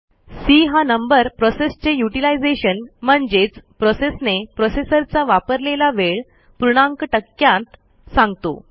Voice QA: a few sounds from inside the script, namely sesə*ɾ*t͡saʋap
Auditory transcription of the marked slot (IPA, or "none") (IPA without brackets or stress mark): ɾ